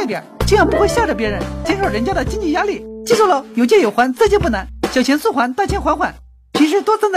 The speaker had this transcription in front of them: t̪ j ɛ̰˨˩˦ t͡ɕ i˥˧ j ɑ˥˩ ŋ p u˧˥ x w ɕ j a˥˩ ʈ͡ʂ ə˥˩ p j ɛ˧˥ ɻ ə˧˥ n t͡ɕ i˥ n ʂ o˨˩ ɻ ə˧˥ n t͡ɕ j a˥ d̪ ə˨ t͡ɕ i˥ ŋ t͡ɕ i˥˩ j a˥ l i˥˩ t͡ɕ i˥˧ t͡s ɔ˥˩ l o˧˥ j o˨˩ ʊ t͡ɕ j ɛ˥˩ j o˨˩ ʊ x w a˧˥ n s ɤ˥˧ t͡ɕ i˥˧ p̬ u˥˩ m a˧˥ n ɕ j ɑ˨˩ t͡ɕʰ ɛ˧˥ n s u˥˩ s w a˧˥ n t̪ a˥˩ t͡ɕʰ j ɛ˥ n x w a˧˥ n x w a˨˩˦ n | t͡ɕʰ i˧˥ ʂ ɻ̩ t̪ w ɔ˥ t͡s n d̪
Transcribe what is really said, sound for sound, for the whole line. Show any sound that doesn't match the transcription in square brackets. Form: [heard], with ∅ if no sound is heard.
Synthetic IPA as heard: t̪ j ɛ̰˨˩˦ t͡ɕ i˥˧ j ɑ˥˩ ŋ p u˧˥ x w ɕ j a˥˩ ʈ͡ʂ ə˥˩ p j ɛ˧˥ ɻ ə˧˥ n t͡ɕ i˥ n ʂ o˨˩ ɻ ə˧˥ n t͡ɕ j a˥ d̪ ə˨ t͡ɕ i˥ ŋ t͡ɕ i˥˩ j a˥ l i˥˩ t͡ɕ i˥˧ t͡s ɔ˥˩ l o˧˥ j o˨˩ ʊ t͡ɕ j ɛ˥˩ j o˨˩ ʊ x w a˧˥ n [t͡s] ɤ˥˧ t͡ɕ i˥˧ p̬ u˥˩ [n] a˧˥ n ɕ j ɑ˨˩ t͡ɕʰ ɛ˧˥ n s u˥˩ [x] w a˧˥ n t̪ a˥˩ t͡ɕʰ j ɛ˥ n x w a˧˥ n x w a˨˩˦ n | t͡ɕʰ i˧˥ ʂ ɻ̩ t̪ w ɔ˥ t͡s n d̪